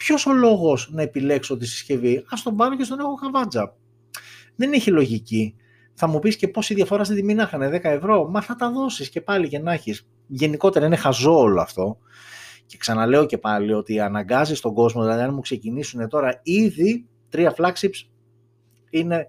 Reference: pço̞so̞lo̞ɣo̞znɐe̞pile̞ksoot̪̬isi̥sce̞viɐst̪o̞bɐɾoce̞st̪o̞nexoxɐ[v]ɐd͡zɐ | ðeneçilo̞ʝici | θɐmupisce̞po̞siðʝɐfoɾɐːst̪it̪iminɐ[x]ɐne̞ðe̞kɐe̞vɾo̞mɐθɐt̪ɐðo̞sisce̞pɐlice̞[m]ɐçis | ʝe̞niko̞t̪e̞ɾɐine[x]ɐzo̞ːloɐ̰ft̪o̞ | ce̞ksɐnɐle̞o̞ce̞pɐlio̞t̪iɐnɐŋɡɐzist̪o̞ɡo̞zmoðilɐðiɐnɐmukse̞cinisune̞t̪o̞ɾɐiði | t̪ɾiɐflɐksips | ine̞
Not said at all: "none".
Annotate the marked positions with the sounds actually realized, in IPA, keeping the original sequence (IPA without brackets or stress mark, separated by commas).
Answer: v, x, n, x